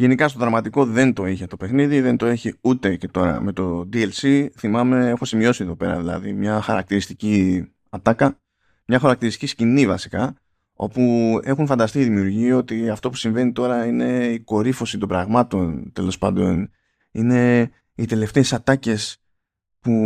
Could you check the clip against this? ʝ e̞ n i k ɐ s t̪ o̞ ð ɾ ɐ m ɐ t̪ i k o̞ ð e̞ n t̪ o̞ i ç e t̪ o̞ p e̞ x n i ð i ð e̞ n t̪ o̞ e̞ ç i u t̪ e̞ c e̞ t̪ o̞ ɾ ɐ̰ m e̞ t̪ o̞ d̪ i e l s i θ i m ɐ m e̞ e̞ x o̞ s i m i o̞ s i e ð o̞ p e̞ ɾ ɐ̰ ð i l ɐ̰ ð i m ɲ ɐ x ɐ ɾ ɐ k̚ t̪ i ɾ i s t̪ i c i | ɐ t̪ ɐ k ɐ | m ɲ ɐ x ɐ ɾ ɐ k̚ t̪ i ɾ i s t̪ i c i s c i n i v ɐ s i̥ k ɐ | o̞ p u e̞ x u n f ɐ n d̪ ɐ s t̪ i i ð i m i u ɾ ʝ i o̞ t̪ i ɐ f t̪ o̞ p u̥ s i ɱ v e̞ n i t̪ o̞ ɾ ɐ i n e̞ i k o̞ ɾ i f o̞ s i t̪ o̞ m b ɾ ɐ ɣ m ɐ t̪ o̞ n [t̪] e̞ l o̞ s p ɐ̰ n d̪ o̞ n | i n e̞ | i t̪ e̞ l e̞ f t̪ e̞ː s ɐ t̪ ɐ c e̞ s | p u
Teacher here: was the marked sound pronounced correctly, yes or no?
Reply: yes